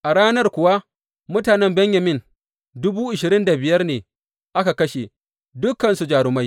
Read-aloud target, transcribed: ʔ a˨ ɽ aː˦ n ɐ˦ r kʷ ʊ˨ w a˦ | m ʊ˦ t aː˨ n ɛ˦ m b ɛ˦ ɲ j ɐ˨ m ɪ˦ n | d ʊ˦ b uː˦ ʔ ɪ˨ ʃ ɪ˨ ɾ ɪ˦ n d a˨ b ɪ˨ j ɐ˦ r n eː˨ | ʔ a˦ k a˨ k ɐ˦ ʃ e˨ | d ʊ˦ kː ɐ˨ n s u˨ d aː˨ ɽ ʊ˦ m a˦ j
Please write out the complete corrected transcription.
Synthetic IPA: ʔ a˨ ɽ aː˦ n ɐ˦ r kʷ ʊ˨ w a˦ | m ʊ˦ t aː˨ n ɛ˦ m b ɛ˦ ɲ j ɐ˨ m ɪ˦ n | d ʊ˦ b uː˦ ʔ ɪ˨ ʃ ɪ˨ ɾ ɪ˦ n d a˨ b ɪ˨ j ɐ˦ r n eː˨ | ʔ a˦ k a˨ k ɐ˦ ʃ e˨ | d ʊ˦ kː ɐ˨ n s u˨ d͡ʒ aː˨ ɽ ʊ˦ m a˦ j